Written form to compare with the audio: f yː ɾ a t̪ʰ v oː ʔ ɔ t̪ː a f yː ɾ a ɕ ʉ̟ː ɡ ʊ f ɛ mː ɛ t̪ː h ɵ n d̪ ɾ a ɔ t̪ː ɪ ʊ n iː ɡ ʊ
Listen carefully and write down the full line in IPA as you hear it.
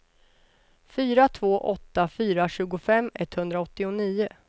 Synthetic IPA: f yː ɾ a t̪ʰ v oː ʔ ɔ t̪ː a f yː ɾ a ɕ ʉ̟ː ɡ ʊ f ɛ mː ɛ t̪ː h ɵ n d̪ ɾ a ɔ t̪ː ɪ ʊ n iː ʊ